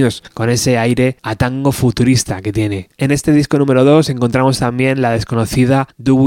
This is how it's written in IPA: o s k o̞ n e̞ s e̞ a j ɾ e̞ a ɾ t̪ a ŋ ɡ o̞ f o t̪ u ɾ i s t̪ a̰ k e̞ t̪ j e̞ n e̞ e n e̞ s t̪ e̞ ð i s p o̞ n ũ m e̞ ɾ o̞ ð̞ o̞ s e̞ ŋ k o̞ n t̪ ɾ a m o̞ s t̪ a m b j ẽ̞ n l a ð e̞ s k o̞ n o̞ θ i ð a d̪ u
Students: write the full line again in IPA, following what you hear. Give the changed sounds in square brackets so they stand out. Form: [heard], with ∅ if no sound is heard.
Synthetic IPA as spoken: o s k o̞ n e̞ s e̞ a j ɾ e̞ a [∅] t̪ a ŋ ɡ o̞ f [u] t̪ u ɾ i s t̪ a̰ k e̞ t̪ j e̞ n e̞ e n e̞ s t̪ e̞ ð i s [k] o̞ n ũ m e̞ ɾ o̞ ð̞ o̞ s e̞ ŋ k o̞ n t̪ ɾ a m o̞ s t̪ a m b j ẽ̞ n l a ð e̞ s k o̞ n o̞ θ i ð a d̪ u